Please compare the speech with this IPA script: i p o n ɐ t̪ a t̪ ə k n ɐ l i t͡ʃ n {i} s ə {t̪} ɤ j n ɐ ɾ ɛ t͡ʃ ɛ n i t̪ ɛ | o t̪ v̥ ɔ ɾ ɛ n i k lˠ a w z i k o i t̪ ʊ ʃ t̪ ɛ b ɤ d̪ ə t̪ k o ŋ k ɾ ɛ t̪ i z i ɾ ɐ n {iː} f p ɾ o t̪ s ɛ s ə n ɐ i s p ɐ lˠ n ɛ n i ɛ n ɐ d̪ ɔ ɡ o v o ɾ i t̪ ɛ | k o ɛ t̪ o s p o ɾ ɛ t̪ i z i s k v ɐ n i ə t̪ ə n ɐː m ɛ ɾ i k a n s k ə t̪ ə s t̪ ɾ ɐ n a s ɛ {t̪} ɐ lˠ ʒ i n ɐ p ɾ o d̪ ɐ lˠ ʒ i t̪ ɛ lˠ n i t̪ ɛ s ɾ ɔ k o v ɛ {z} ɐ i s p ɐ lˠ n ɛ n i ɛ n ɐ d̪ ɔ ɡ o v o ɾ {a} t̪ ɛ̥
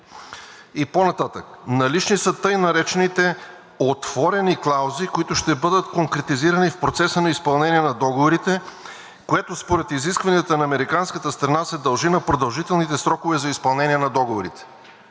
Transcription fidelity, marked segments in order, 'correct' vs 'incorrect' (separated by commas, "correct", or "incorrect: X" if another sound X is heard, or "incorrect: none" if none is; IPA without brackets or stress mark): correct, correct, incorrect: i, incorrect: d̪, correct, incorrect: i